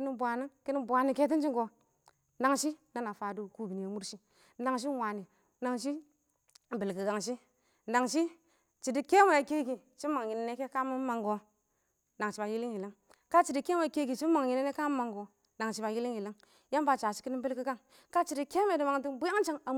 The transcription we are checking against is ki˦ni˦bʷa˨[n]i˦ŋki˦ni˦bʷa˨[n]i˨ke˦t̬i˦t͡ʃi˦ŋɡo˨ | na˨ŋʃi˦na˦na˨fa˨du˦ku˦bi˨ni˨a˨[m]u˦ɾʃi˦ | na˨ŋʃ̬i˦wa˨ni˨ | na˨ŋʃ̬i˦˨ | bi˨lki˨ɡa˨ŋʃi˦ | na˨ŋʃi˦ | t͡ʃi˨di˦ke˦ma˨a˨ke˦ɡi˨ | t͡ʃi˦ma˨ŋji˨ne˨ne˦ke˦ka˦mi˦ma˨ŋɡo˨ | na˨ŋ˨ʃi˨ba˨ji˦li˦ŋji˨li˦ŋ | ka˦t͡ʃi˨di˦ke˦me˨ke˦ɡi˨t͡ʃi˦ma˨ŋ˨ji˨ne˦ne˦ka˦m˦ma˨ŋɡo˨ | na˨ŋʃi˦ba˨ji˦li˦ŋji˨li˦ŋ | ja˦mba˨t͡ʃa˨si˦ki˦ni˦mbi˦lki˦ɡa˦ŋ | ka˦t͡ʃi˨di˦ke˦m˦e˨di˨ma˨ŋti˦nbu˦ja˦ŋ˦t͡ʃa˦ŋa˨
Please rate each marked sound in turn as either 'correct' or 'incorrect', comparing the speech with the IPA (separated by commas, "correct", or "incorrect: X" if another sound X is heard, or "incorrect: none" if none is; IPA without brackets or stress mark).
correct, correct, correct